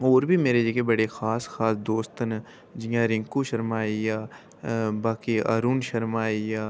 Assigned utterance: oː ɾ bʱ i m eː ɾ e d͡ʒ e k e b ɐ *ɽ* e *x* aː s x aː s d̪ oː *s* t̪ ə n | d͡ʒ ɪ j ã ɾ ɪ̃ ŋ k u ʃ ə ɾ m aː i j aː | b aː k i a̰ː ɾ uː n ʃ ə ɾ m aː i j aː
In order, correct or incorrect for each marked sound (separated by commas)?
correct, correct, correct